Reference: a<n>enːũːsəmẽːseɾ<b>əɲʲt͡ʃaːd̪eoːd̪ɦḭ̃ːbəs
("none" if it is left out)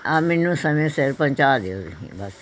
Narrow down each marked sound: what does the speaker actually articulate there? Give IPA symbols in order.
m, p

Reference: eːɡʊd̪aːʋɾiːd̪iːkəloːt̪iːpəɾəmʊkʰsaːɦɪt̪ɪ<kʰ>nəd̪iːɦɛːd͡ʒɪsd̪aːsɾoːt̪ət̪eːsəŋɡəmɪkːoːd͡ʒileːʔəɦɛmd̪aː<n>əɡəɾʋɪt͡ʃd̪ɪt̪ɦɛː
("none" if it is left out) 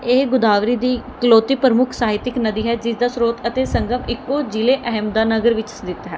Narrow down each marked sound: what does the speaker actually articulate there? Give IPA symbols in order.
k, n

